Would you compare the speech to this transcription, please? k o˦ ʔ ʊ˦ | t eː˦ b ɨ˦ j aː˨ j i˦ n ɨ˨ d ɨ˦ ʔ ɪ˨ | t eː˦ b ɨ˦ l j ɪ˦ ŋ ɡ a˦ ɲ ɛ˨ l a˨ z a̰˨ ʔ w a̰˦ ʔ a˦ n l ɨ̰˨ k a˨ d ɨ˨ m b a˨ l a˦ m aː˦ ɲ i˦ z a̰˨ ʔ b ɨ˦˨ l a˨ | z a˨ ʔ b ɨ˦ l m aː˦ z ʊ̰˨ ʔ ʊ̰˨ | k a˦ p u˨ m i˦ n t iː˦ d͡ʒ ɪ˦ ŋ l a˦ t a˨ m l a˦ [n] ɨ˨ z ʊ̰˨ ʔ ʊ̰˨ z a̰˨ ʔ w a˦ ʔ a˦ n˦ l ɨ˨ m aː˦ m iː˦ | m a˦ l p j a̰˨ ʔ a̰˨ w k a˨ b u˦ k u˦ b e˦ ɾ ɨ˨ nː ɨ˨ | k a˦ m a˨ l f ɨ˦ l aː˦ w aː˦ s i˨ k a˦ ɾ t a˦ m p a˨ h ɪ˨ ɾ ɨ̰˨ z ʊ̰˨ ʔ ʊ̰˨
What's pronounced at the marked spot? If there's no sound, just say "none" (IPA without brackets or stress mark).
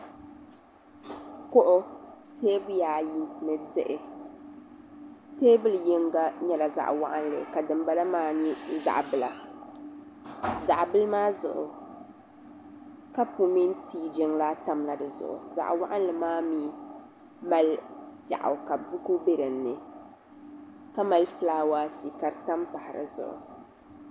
d